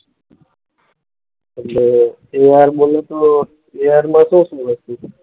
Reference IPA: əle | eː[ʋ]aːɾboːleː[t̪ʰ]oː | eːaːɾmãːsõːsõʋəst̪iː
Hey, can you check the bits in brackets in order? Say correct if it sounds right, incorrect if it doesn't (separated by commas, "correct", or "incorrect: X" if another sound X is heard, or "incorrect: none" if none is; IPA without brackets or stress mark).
incorrect: none, incorrect: t̪